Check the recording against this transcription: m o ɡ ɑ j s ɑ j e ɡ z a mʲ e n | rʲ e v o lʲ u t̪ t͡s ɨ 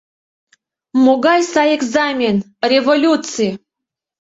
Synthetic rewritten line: m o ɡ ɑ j s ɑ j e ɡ z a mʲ e n | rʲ e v o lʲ u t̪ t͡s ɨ